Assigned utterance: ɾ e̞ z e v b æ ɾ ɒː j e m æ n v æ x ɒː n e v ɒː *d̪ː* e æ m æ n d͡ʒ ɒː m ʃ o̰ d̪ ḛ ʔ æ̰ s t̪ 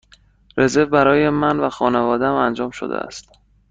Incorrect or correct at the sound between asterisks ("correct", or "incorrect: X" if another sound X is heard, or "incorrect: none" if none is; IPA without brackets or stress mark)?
incorrect: d̪